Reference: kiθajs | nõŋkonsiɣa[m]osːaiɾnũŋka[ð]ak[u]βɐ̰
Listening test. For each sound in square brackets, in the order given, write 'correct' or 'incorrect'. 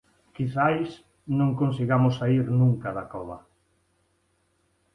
correct, correct, incorrect

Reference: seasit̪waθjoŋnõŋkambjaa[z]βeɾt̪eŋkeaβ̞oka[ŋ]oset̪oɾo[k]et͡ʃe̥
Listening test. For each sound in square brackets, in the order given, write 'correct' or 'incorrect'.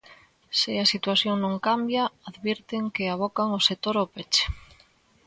incorrect, correct, incorrect

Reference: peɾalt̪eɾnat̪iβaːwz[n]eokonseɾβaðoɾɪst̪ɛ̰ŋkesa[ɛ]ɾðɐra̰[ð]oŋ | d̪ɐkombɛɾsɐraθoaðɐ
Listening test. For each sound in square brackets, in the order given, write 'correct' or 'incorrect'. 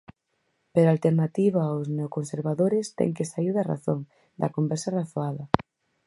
correct, incorrect, incorrect

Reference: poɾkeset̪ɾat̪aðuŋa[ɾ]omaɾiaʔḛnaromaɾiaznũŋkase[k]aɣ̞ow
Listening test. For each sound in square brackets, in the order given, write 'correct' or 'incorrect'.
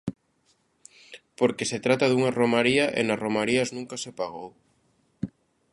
incorrect, incorrect

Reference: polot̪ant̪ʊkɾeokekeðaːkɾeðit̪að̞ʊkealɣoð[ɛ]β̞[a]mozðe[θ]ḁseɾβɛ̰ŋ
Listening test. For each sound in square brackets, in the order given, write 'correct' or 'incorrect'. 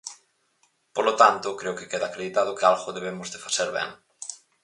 incorrect, incorrect, incorrect

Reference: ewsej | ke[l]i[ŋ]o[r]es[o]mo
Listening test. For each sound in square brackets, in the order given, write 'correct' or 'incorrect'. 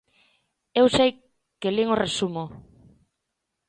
correct, correct, correct, incorrect

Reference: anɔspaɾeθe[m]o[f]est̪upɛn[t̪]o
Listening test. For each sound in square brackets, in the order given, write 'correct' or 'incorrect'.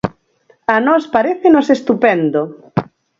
incorrect, incorrect, incorrect

